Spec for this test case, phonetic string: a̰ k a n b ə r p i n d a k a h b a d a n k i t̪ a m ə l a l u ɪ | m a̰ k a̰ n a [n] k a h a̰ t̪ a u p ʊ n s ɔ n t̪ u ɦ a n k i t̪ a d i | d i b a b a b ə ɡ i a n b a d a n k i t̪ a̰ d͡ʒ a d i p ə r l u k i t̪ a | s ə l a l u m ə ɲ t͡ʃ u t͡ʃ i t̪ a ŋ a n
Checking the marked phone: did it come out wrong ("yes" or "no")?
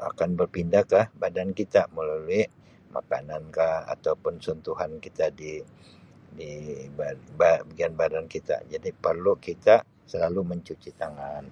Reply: no